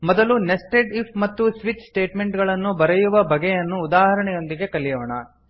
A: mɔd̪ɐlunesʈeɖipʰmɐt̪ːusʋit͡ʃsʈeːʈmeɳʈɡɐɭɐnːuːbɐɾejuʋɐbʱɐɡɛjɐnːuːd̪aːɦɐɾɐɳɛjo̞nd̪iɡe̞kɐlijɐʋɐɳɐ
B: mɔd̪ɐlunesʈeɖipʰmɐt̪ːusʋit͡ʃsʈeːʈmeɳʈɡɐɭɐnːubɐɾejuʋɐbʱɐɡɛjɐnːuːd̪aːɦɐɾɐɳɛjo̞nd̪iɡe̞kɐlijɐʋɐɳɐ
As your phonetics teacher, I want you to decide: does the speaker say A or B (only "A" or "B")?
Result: B